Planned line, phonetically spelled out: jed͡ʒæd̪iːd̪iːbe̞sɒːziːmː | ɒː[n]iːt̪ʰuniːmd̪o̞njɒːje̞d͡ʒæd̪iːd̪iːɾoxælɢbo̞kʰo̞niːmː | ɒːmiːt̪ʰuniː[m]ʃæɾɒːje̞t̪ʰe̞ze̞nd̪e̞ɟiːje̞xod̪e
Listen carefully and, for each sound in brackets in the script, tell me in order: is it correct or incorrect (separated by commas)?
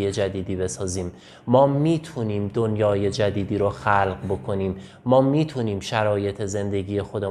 incorrect, correct